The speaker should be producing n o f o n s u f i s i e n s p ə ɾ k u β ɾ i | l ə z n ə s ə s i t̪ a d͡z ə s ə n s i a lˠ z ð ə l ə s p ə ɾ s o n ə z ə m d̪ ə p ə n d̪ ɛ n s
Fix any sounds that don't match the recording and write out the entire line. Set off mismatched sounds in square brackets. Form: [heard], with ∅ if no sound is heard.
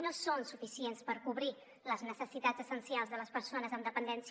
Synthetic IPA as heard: n o [s] o n s u f i s i e n s p ə ɾ k u β ɾ i | l ə z n ə s ə s i t̪ a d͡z ə s ə n s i a lˠ z ð ə l ə s p ə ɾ s o n ə z ə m d̪ ə p ə n d̪ ɛ n s